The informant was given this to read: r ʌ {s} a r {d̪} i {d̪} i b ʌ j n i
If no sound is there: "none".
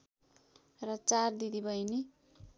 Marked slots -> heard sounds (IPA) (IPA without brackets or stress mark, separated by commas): t͡s, d̪, d̪